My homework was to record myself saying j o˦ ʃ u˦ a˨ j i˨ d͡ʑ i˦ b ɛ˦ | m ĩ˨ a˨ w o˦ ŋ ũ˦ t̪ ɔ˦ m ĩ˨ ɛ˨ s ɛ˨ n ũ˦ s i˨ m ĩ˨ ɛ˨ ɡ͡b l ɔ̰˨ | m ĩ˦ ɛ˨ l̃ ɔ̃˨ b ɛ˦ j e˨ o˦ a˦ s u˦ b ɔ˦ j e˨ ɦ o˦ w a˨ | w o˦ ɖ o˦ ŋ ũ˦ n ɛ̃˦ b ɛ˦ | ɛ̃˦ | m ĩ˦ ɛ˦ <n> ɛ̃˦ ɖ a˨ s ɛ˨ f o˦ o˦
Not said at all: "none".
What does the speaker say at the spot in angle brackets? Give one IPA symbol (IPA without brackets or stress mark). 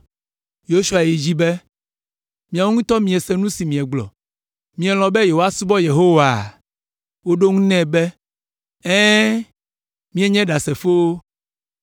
ɲ